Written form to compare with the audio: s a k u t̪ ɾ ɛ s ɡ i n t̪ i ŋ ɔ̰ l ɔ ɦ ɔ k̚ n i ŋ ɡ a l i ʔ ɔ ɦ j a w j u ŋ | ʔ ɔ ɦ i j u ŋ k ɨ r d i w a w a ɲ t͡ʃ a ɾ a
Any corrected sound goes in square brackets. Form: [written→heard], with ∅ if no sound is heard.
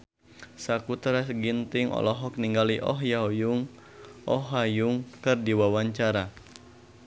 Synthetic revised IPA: s a k u t̪ ɾ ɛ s ɡ i n t̪ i ŋ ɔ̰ l ɔ ɦ ɔ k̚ n i ŋ ɡ a l i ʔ ɔ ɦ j a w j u ŋ | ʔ ɔ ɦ [i→a] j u ŋ k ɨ r d i w a w a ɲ t͡ʃ a ɾ a

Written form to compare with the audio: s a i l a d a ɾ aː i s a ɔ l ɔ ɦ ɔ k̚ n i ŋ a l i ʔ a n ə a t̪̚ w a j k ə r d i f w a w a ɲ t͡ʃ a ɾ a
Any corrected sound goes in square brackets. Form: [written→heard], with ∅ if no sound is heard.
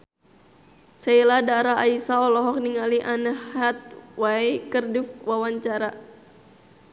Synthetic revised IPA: s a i l a d a ɾ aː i s a ɔ l ɔ ɦ ɔ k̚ n i ŋ a l i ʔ a n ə a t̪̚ w a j k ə r d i f w a w a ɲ t͡ʃ a ɾ a

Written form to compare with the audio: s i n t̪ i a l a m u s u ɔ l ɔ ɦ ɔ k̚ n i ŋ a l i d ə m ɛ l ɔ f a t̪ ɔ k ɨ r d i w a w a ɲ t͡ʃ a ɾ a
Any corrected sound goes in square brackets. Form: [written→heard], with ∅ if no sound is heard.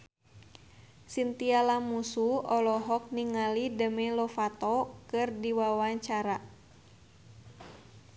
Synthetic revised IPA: s i n t̪ i a l a m u s u ɔ l ɔ ɦ ɔ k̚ n i ŋ a l i d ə m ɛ l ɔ f a t̪ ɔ k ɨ r d i w a w a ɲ t͡ʃ a ɾ a

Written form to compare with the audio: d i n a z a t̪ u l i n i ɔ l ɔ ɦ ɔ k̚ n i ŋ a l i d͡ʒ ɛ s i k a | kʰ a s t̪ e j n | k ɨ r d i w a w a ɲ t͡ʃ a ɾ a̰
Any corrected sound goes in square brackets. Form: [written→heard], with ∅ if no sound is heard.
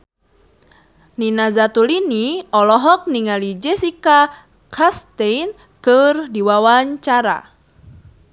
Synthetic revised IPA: [d→n] i n a z a t̪ u l i n i ɔ l ɔ ɦ ɔ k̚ n i ŋ a l i d͡ʒ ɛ s i k a | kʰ a s t̪ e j n | k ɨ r d i w a w a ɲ t͡ʃ a ɾ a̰

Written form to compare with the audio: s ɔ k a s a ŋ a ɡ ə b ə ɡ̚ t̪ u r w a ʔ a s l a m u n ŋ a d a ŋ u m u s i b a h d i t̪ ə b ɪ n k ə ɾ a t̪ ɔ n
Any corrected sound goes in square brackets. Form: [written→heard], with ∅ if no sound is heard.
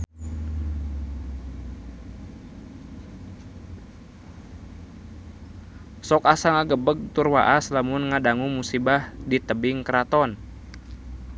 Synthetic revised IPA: s ɔ k a s a ŋ a ɡ ə b ə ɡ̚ t̪ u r w a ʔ a s l a m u n ŋ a d a ŋ u m u s i b a h d i t̪ ə b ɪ [n→ŋ] k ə ɾ a t̪ ɔ n

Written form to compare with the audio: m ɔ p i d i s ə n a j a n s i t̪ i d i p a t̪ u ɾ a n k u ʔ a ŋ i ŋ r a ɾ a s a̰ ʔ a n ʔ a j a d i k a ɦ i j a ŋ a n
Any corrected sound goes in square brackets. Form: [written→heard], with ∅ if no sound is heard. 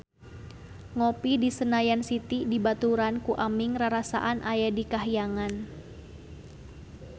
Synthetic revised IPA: [m→ŋ] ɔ p i d i s ə n a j a n s i t̪ i d i [p→b] a t̪ u ɾ a n k u ʔ a [ŋ→m] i ŋ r a ɾ a s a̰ ʔ a n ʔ a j a d i k a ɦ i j a ŋ a n

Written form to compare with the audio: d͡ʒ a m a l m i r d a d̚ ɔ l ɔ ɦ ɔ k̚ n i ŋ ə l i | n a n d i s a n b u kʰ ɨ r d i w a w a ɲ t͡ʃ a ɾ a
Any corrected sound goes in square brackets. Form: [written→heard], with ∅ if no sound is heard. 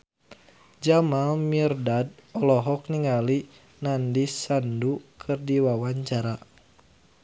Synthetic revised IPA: d͡ʒ a m a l m i r d a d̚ ɔ l ɔ ɦ ɔ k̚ n i ŋ [ə→a] l i | n a n d i s a n [b→d] u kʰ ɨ r d i w a w a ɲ t͡ʃ a ɾ a

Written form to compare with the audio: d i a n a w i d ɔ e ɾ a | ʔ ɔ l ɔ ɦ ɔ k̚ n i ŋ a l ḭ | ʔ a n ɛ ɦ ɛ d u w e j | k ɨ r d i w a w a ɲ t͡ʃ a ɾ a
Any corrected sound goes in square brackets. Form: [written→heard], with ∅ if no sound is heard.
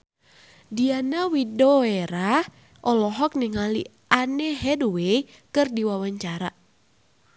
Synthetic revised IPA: d i a n a w i d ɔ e ɾ a | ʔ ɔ l ɔ ɦ ɔ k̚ n i ŋ a l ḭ | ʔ a n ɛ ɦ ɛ d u w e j | k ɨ r d i w a w a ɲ t͡ʃ a ɾ a

